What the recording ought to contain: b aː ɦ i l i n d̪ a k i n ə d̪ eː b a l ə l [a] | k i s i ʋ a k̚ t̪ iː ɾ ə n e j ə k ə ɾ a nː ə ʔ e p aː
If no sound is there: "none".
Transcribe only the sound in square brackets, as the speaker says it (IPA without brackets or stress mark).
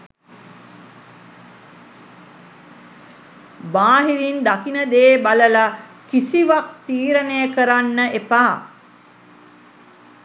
a